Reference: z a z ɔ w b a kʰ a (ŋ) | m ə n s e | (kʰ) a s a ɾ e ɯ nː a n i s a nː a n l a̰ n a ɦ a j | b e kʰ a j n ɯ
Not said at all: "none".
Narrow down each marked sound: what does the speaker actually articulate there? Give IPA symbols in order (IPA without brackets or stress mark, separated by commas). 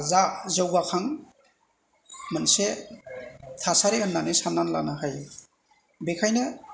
ŋ, tʰ